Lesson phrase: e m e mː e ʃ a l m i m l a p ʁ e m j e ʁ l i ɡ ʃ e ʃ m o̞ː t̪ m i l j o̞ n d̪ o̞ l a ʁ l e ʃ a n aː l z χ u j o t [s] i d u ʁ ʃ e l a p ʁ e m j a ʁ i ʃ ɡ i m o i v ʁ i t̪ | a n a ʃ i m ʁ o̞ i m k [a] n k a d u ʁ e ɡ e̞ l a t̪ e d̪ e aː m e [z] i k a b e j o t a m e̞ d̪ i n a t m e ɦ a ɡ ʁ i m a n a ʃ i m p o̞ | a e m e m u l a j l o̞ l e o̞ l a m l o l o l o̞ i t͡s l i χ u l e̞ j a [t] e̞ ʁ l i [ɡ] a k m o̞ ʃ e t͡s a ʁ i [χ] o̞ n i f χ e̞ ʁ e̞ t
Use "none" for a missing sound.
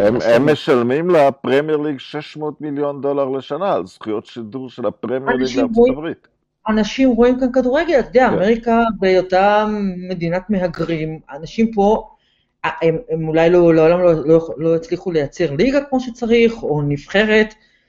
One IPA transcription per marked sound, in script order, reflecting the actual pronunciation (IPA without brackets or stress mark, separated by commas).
ʃ, a, ʁ, t͡s, ɡ, χ